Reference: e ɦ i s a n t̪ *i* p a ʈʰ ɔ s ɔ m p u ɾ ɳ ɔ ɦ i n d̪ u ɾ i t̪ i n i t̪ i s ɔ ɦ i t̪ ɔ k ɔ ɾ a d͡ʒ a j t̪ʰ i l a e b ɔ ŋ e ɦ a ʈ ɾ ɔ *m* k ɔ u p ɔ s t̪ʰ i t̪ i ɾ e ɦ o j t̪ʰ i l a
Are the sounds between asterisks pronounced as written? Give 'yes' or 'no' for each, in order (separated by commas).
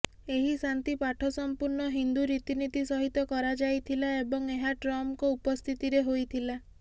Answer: yes, yes